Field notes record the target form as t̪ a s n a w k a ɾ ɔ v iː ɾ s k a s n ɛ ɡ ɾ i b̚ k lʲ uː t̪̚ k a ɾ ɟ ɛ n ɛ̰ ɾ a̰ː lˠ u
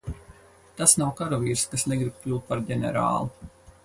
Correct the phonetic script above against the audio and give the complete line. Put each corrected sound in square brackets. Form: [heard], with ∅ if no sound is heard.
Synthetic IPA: t̪ a s n a w k a ɾ ɔ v iː ɾ s k a s n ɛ ɡ ɾ i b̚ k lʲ uː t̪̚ [p] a ɾ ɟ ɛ n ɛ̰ ɾ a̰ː lˠ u